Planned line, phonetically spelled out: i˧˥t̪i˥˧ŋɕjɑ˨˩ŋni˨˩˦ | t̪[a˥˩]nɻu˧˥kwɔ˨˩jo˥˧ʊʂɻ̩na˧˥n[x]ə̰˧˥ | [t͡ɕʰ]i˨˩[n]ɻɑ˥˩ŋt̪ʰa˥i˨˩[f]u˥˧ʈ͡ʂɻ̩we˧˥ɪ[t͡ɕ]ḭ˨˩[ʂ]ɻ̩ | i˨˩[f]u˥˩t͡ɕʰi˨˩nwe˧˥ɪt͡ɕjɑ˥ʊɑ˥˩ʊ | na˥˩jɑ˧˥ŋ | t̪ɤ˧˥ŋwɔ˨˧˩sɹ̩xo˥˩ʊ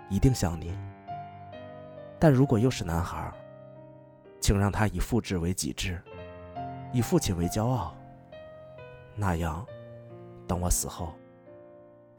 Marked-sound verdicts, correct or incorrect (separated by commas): correct, correct, correct, incorrect, correct, correct, incorrect, correct